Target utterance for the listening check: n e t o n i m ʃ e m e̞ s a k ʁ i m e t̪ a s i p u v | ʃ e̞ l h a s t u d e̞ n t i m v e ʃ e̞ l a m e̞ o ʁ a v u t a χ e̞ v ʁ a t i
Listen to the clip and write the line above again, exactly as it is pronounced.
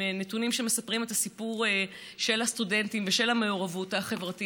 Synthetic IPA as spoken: n e t u n i m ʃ e m e̞ s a p ʁ i m e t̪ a s i p u ʁ | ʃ e̞ l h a s t u d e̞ n t i m v e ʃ e̞ l a m e̞ o ʁ a v u t a χ e̞ v ʁ a t i